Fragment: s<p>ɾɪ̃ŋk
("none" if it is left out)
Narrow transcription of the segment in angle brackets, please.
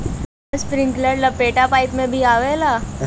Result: p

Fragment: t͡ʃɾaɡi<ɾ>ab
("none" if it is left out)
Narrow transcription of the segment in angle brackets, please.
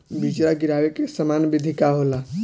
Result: ɾ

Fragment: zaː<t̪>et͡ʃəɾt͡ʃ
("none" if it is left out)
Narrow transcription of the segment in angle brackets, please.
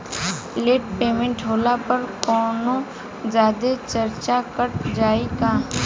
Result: d̪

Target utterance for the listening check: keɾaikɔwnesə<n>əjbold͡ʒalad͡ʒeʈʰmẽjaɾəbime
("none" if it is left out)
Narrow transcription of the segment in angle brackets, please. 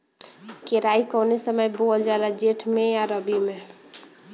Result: m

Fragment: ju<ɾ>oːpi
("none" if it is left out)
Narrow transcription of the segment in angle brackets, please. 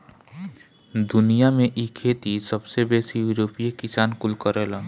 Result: ɾ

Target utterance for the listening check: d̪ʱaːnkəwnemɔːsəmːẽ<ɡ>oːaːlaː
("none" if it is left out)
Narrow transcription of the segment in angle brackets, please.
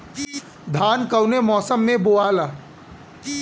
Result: b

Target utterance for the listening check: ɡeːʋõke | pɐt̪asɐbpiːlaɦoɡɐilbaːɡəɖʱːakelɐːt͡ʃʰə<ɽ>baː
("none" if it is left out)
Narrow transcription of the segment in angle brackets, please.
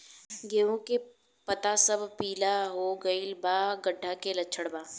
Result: ɽ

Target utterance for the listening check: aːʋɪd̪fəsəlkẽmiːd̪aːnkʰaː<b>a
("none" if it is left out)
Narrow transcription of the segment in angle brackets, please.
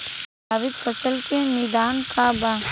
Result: b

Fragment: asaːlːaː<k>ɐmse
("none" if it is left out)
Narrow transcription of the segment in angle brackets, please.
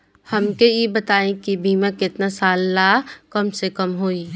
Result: k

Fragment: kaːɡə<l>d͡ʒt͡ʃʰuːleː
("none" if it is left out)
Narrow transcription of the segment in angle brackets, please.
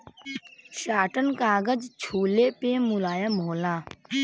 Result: none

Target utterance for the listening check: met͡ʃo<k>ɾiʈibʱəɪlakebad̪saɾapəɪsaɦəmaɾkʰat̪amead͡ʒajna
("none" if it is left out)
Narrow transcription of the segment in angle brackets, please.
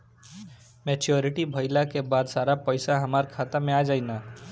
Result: none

